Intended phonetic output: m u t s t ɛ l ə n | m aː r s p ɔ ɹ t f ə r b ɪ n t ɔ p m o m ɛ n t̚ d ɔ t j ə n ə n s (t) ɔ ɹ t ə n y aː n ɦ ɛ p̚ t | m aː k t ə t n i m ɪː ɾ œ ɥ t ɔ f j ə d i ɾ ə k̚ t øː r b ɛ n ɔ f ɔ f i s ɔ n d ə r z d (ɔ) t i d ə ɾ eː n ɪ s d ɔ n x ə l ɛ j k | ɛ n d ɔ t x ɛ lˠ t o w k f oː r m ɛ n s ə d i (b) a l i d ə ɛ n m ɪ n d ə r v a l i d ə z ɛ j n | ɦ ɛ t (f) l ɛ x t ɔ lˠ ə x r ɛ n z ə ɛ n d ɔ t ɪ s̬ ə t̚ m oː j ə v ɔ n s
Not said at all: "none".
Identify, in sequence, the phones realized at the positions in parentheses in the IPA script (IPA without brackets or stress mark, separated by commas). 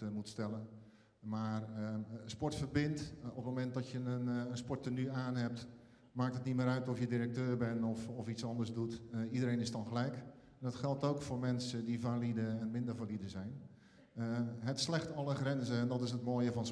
p, u, v, s